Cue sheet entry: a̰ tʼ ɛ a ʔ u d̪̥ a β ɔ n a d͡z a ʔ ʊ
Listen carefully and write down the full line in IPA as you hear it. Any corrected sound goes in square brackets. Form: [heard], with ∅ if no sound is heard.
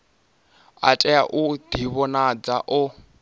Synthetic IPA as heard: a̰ tʼ ɛ a ʔ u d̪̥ [i] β ɔ n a d͡z a ʔ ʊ